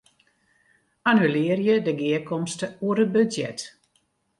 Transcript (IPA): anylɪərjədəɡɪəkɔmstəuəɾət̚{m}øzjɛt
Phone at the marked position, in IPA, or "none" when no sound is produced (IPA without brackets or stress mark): b